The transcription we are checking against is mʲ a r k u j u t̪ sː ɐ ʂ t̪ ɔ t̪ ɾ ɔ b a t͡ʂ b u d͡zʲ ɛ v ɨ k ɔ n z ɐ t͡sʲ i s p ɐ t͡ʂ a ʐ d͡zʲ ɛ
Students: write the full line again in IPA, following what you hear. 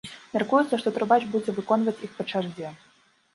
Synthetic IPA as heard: mʲ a r k u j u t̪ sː ɐ ʂ t̪ ɔ t̪ ɾ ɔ b a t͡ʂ b u d͡zʲ ɛ v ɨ k ɔ n v ɐ t͡sʲ i x p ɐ t͡ʂ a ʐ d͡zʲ ɛ